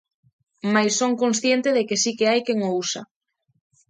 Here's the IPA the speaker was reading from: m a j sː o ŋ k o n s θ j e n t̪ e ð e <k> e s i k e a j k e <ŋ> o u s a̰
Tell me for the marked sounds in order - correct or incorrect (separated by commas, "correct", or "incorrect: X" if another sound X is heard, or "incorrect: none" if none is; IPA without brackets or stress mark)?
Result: correct, correct